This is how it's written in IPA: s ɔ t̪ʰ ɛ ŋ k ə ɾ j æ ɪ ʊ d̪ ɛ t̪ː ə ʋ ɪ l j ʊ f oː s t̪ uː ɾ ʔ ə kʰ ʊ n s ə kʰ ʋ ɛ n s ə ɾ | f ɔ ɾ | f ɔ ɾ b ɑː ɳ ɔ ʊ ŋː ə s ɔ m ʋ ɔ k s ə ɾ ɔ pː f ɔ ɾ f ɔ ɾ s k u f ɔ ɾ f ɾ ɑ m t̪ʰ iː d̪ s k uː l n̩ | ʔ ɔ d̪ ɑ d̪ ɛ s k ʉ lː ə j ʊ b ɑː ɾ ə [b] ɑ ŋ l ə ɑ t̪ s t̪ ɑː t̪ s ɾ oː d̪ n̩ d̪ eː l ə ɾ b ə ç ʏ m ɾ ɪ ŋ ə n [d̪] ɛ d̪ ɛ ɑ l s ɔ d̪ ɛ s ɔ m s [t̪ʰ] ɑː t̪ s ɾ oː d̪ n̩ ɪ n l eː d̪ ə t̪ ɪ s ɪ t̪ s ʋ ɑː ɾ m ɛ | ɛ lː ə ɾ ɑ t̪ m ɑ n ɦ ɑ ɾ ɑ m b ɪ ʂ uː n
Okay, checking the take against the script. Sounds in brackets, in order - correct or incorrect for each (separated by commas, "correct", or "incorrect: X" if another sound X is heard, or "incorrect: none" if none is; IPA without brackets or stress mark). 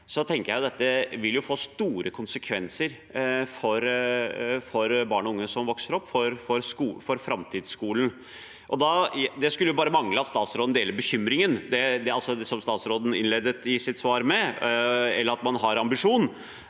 incorrect: m, correct, incorrect: t̪